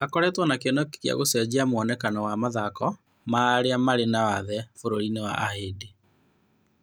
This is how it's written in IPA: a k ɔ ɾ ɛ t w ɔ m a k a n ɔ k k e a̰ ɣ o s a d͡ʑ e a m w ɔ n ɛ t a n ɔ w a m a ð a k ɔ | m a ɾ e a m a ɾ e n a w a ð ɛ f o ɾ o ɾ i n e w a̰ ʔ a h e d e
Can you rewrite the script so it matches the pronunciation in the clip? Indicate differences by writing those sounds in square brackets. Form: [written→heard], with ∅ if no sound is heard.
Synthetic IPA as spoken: a k ɔ ɾ ɛ t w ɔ [m→n] a k [a→e] n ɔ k k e a̰ ɣ o s [a→ɛ] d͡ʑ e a m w ɔ n ɛ [t→k] a n ɔ w a m a ð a k ɔ | m a ɾ e a m a ɾ e n a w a ð ɛ f o ɾ o ɾ i n e w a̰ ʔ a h e d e